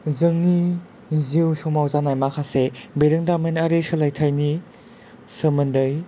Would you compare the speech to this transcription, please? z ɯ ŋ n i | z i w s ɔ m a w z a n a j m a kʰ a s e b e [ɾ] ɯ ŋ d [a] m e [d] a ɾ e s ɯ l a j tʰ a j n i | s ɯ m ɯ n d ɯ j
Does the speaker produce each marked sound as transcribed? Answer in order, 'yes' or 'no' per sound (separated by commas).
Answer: yes, yes, no